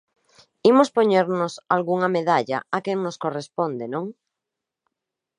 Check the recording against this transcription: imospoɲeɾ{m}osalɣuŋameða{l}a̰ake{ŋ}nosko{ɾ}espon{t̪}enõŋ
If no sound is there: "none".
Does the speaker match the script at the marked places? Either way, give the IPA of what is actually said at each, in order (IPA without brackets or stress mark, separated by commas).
n, ʎ, ŋ, r, d̪